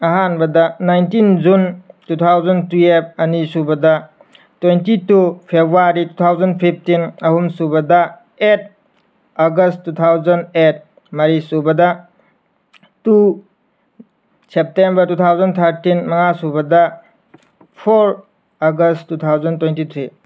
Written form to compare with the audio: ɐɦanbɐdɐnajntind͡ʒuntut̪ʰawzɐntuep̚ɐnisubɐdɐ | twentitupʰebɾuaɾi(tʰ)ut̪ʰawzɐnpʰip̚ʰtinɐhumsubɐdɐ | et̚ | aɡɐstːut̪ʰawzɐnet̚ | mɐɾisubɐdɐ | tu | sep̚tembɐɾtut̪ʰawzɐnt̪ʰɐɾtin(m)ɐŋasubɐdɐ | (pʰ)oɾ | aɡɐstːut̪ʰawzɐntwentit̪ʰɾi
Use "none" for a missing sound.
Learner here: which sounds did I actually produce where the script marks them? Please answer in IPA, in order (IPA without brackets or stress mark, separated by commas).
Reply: t, m, pʰ